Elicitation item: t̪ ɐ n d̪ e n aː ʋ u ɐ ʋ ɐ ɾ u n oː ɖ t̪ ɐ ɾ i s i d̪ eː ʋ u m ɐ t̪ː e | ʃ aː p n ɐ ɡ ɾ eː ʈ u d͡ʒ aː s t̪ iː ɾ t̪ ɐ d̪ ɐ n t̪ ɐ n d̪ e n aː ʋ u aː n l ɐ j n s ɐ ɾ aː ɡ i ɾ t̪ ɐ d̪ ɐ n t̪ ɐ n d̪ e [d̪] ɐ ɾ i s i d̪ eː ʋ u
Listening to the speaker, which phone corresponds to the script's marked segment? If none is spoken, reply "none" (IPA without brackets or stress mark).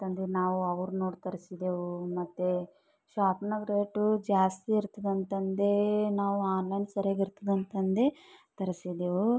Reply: t̪